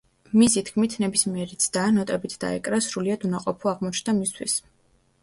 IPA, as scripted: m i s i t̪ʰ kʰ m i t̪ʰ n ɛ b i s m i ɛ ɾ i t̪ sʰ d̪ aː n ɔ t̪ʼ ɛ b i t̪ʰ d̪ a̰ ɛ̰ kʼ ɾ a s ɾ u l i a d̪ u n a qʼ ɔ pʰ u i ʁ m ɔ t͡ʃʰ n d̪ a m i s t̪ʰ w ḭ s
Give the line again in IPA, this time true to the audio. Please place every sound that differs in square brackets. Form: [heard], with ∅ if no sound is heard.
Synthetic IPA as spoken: m i s i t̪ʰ kʰ m i t̪ʰ n ɛ b i s m i ɛ ɾ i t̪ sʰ d̪ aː n ɔ t̪ʼ ɛ b i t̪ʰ d̪ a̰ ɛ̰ kʼ ɾ a s ɾ u l i a d̪ u n a qʼ ɔ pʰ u [a] ʁ m ɔ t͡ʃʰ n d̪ a m i s t̪ʰ w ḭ s